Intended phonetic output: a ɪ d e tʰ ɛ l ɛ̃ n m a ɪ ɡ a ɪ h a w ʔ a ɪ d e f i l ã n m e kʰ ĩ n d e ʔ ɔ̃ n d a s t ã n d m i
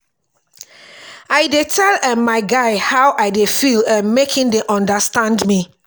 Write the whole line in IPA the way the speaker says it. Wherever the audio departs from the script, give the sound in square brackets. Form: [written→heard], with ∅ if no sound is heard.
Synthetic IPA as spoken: a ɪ d e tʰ ɛ l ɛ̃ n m a ɪ ɡ a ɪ h a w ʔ a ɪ d e f i l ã n m e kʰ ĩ n d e ʔ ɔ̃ n d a s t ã n d m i